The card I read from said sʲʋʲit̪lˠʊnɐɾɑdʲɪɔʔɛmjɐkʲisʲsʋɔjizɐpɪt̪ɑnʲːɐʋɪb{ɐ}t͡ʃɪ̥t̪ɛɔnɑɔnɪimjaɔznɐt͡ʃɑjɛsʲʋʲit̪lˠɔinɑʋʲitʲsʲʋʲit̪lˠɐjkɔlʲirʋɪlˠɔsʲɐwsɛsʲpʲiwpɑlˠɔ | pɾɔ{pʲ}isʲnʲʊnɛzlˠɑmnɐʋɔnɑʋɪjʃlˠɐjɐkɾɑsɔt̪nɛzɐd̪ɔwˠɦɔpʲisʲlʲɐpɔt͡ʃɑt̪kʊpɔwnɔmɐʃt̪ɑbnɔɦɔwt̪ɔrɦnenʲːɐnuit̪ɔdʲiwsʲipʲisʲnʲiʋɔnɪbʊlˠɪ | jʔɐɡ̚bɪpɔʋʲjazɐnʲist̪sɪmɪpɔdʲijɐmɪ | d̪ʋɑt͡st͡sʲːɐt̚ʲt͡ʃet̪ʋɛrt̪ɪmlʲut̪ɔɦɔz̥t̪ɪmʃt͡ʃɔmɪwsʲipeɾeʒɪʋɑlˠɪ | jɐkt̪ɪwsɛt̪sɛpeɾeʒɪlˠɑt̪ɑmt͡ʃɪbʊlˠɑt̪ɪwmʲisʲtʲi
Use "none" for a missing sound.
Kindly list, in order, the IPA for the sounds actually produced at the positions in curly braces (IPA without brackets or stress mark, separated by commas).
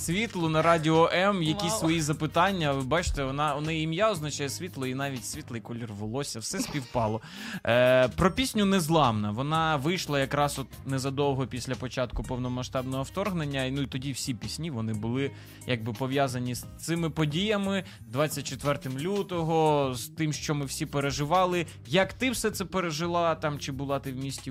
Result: ɑ, pʲ